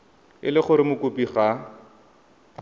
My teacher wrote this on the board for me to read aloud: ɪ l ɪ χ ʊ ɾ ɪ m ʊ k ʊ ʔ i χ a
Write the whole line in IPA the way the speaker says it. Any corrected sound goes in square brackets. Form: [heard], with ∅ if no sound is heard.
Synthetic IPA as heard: ɪ l ɪ χ ʊ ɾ ɪ m ʊ k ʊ [p] i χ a

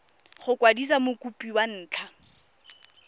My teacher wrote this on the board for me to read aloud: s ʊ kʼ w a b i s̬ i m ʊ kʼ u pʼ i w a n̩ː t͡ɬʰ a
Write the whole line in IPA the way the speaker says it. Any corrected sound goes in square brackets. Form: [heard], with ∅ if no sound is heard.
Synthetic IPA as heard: [χ] ʊ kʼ w a [d] i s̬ [a] m ʊ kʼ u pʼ i w a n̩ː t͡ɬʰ a

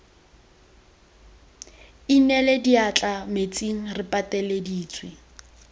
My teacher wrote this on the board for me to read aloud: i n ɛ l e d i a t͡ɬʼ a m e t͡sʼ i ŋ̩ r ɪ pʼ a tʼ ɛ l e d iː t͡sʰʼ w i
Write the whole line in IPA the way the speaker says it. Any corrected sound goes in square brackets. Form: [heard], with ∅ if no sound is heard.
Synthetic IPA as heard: i n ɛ l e d i a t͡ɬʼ a m e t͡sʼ i ŋ̩ r ɪ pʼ a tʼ ɛ l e d iː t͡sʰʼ w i

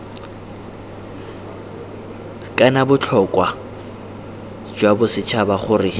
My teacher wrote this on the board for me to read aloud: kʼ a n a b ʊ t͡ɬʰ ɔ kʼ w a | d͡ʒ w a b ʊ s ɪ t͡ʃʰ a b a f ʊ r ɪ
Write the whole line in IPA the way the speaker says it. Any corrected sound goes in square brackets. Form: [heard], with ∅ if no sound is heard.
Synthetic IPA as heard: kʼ a n a b ʊ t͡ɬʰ ɔ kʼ w a | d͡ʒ w a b ʊ s ɪ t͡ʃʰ a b a [χ] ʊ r ɪ

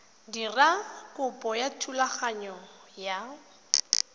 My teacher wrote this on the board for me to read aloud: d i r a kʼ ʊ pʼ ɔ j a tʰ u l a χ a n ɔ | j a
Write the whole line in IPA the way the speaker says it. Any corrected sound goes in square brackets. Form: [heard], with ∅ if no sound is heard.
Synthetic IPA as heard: d i r a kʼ ʊ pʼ ɔ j a tʰ u l a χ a [ɲ] ɔ | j a

